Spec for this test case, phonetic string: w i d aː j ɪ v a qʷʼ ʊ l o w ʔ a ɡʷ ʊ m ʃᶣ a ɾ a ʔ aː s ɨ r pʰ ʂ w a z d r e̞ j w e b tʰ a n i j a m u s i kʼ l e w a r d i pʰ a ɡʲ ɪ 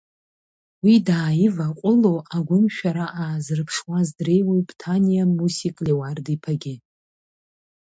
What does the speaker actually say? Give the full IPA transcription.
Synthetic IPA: w i d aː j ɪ v a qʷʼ ʊ l o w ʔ a ɡʷ ʊ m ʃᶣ a ɾ a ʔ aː z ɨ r pʰ ʂ w a z d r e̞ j w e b tʰ a n i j a m u s i kʼ l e w a r d i pʰ a ɡʲ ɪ

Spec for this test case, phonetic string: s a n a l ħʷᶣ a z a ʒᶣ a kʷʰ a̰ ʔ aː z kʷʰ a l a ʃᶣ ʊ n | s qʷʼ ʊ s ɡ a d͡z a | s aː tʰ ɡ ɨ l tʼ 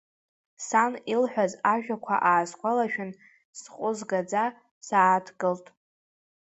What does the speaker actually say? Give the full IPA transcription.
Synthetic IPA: s a n i l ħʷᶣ a z a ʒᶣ a kʷʰ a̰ ʔ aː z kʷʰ a l a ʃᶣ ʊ n | s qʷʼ ʊ z ɡ a d͡z a | s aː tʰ ɡ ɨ l tʼ

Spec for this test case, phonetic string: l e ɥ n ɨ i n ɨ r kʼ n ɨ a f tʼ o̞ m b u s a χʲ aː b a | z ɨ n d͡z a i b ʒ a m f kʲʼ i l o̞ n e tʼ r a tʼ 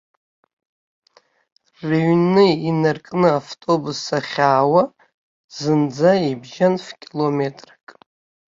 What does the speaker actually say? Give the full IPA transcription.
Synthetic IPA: r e ɥ n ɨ i n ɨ r kʼ n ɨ a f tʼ o̞ b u s a χʲ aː w a | z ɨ n d͡z a i b ʒ a n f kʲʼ i l o̞ m e tʼ r a kʼ

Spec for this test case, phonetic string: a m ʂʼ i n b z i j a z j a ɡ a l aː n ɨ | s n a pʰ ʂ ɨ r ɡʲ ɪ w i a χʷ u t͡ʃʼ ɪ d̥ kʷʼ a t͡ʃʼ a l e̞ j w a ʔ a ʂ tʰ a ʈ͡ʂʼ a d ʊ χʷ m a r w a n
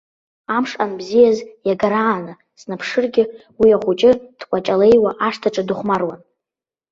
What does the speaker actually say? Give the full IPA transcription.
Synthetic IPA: a m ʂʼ a n b z i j a z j a ɡ a ɾ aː n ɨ | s n a pʰ ʂ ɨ r ɡʲ ɪ w i a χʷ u t͡ʃʼ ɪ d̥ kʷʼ a t͡ʃʼ a l e̞ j w a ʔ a ʂ tʰ a ʈ͡ʂʼ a d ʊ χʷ m a r w a n

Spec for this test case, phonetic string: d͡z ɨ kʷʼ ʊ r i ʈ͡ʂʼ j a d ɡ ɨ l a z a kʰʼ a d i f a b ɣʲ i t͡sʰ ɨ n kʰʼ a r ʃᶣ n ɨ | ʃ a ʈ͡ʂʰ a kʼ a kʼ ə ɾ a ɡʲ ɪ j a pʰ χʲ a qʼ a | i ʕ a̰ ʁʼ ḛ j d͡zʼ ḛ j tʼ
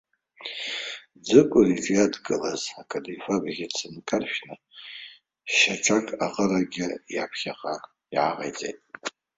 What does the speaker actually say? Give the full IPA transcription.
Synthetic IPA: d͡z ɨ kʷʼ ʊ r i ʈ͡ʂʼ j a d ɡ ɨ l a z a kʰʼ a d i f a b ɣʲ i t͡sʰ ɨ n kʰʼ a r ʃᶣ n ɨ | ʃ a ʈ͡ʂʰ a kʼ a qʼ ə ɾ a ɡʲ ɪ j a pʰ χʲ a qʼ a | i ʕ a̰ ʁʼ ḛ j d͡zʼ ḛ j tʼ

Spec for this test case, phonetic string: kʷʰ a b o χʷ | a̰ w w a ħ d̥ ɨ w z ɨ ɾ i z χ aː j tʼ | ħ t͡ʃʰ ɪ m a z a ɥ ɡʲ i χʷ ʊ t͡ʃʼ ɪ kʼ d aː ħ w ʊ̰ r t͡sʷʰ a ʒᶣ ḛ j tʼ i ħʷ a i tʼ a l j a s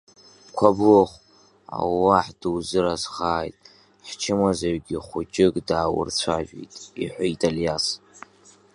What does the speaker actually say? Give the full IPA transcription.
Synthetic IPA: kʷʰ a b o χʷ | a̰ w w a ħ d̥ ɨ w z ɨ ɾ a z χ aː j tʼ | ħ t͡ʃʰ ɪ m a z a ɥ ɡʲ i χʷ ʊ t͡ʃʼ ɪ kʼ d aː w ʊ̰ r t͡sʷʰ a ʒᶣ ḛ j tʼ i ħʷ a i tʼ a l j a s

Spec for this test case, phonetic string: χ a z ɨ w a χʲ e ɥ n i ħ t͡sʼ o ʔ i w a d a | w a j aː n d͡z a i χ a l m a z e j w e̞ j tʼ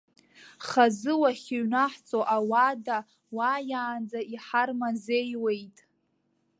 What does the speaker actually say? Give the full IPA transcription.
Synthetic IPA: χ a z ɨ w a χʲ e ɥ n a ħ t͡sʼ o ʔ a w a d a | w a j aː n d͡z a i ħ a r m a z e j w e̞ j tʼ

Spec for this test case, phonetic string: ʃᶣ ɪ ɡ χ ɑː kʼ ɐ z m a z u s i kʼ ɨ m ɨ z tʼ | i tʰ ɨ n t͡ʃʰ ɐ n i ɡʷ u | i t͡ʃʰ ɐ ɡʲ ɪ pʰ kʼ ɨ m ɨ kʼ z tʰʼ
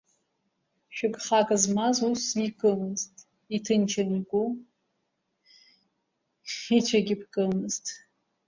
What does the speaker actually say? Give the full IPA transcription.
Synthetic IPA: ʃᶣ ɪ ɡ χ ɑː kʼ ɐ z m a z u s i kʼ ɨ m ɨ z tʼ | i tʰ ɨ n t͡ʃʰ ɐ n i ɡʷ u | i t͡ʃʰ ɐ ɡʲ ɪ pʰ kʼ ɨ m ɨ z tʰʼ

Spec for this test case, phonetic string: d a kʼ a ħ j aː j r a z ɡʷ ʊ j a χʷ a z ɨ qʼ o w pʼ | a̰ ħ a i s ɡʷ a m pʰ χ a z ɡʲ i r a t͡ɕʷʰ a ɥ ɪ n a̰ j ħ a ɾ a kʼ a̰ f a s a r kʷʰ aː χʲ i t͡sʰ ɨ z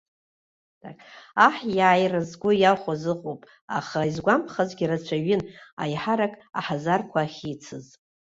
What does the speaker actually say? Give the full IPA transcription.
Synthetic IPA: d a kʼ a ħ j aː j r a z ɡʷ ʊ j a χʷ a z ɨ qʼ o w pʼ | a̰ χ a i z ɡʷ a m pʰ χ a z ɡʲ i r a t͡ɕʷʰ a ɥ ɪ n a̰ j ħ a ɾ a kʼ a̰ ħ a z a r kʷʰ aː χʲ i t͡sʰ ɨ z

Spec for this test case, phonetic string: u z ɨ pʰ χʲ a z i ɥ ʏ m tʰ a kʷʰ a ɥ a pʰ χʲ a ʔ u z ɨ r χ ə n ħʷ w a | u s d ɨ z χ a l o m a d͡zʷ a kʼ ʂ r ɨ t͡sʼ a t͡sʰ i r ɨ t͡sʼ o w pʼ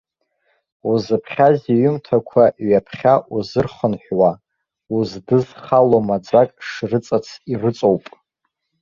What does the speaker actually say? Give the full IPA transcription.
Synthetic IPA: u z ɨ pʰ χʲ a z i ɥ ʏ m tʰ a kʷʰ a ɥ a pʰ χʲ a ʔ u z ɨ r χ ə n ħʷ w a | u z d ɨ z χ a l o m a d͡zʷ a kʼ ʂ r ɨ t͡sʼ a t͡sʰ i r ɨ t͡sʼ o w pʼ

